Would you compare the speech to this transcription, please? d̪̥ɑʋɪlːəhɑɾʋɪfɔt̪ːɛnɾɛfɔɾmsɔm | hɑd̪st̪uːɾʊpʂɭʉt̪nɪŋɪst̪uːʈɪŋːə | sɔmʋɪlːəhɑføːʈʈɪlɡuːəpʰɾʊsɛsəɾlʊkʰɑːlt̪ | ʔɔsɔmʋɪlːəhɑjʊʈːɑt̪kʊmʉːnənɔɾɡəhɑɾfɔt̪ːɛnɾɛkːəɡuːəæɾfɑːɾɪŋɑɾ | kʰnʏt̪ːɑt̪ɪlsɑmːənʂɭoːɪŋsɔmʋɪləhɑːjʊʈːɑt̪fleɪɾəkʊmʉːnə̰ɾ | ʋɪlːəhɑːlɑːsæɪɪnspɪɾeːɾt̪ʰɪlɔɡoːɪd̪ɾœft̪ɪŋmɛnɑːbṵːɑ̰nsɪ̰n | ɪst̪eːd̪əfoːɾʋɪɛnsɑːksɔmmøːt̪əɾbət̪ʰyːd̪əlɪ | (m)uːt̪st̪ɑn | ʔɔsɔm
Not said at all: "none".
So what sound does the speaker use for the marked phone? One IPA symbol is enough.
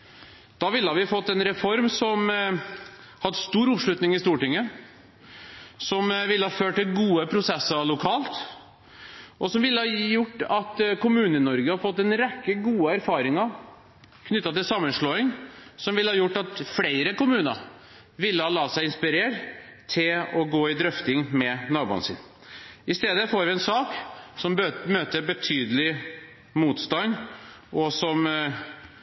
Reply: m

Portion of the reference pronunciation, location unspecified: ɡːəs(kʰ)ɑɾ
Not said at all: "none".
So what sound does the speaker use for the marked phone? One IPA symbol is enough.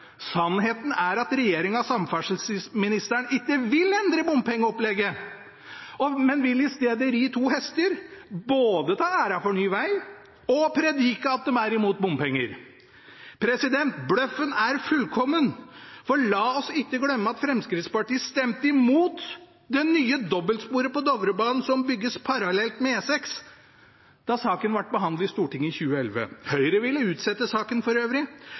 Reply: pʰ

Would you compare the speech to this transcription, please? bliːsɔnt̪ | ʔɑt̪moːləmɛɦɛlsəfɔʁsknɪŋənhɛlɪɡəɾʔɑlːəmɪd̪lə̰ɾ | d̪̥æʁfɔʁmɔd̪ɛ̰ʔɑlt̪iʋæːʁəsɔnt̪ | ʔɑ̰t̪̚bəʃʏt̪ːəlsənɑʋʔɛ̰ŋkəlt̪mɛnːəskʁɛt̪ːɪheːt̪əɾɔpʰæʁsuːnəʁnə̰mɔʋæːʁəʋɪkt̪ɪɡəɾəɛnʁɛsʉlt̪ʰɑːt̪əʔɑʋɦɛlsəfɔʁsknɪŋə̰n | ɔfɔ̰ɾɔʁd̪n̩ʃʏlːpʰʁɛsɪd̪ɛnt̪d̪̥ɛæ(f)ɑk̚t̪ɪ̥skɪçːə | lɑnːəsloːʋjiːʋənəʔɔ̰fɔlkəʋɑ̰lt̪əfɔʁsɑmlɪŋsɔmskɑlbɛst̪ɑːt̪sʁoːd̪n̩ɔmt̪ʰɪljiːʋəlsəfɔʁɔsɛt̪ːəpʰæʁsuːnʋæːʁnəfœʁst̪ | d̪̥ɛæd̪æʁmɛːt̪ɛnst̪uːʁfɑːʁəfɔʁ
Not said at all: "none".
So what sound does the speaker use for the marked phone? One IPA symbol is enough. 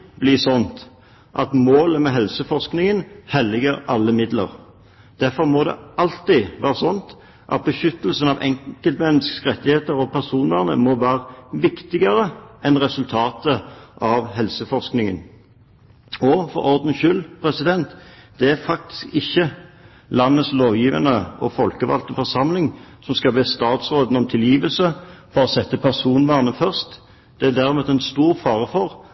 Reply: f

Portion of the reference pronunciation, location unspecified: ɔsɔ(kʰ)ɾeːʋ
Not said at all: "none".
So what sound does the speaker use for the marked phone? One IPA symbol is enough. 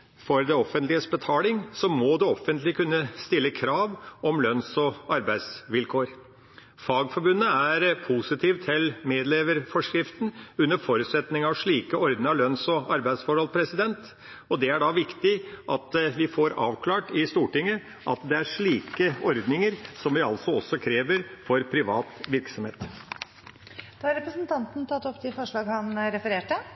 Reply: kʰ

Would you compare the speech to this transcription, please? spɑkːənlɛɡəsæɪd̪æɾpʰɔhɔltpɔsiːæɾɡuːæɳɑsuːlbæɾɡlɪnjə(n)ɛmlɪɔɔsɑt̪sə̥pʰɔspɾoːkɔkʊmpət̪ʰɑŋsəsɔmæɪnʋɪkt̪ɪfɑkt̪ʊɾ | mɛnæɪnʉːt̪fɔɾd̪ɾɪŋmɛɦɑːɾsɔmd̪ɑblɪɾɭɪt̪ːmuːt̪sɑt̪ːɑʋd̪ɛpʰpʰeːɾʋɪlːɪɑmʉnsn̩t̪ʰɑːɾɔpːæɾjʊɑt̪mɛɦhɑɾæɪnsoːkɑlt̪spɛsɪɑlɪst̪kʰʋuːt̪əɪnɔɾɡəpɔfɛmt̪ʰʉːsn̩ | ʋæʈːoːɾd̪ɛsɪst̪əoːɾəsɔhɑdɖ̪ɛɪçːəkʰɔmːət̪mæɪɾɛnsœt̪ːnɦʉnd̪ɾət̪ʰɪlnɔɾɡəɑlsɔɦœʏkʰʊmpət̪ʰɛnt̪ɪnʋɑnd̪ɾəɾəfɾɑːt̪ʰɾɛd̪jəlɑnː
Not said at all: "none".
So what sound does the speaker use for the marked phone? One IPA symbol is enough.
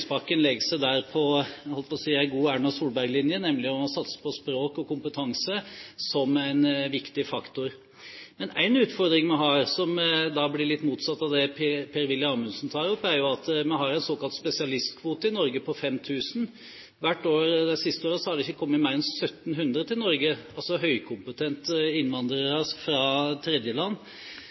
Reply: n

